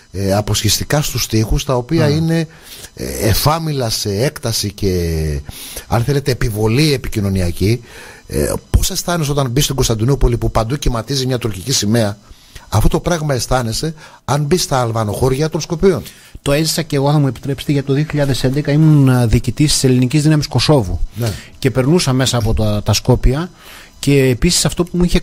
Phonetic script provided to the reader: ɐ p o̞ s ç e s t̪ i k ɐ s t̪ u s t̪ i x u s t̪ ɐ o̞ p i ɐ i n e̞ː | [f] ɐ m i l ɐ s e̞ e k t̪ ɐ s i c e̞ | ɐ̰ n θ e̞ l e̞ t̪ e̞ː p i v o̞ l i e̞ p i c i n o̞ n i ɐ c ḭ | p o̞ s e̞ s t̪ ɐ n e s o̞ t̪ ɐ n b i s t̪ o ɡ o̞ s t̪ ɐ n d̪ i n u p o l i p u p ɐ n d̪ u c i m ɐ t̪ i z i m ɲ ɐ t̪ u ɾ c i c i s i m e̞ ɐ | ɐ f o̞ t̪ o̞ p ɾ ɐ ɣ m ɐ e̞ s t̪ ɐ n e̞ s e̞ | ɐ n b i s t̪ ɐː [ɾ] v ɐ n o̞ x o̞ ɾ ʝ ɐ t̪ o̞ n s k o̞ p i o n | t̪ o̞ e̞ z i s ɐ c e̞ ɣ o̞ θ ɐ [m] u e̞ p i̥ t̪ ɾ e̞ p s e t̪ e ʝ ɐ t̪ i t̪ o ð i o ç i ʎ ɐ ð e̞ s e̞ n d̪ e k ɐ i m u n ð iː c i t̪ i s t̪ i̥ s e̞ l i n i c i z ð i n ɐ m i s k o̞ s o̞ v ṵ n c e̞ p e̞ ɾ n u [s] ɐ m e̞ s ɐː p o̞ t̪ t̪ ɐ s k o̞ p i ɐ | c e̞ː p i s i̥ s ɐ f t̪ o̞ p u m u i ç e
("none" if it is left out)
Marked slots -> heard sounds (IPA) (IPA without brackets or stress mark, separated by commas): f, l, m, s